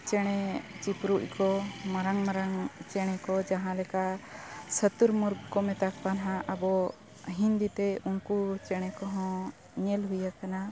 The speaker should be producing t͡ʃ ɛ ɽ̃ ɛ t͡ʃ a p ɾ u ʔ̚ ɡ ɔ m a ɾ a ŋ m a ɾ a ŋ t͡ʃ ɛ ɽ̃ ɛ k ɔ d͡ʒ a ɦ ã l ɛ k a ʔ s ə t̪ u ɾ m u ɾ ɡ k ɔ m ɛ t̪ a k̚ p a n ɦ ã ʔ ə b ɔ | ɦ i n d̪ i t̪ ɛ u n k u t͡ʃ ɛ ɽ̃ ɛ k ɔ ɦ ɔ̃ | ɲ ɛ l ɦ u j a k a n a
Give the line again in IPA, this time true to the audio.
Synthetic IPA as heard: t͡ʃ ɛ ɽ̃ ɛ t͡ʃ i p ɾ u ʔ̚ k ɔ m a ɾ a ŋ m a ɾ a ŋ t͡ʃ ɛ ɽ̃ ɛ k ɔ d͡ʒ a ɦ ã l ɛ k a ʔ s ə t̪ u ɾ m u ɾ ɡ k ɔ m ɛ t̪ a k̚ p a n ɦ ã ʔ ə b ɔ | ɦ i n d̪ i t̪ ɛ u n k u t͡ʃ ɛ ɽ̃ ɛ k ɔ ɦ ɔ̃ | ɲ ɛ l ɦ u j a k a n a